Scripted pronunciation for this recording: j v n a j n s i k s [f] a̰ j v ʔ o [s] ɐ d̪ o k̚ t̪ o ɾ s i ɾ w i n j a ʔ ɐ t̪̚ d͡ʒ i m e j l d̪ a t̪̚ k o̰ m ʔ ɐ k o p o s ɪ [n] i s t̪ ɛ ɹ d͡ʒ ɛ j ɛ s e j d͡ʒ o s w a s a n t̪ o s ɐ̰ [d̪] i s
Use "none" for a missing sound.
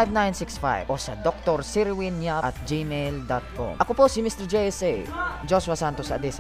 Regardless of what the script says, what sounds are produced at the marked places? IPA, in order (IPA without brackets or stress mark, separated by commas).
f, s, m, d̪